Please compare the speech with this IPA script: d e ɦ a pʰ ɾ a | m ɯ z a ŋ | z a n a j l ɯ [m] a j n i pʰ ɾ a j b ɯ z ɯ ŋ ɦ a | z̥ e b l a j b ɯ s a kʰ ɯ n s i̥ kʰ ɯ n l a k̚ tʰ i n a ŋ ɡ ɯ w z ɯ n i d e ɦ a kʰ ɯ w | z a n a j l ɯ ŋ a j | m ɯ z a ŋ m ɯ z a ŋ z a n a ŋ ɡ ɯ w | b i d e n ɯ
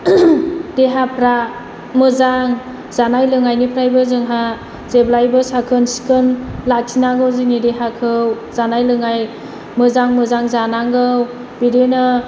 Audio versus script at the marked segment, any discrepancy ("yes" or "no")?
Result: yes